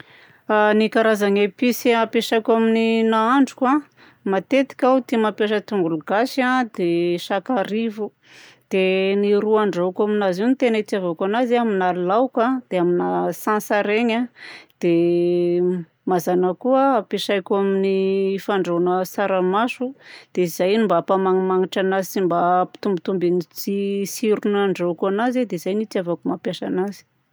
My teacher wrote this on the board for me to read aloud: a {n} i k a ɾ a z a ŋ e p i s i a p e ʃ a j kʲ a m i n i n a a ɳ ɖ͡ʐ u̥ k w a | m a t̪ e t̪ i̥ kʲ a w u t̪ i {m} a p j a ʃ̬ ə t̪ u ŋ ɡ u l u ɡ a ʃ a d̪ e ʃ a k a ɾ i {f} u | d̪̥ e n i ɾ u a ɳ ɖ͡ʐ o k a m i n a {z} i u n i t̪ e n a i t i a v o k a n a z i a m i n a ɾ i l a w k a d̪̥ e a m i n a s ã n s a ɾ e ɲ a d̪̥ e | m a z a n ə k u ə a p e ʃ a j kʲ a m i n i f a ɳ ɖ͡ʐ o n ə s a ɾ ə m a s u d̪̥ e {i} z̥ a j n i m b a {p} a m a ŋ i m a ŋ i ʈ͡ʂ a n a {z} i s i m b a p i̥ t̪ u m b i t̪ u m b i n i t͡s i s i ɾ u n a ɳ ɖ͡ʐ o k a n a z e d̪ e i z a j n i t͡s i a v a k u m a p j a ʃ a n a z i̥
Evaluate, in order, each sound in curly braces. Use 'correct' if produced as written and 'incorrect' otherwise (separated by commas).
correct, correct, incorrect, correct, correct, correct, correct